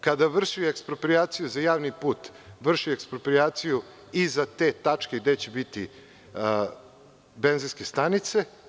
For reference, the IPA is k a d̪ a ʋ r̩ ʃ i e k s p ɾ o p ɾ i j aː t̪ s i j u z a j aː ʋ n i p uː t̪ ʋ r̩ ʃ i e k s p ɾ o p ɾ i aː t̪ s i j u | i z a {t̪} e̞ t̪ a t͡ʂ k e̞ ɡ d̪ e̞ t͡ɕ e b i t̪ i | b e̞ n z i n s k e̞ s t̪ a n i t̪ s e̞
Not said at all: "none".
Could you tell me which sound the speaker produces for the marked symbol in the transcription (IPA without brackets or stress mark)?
t̪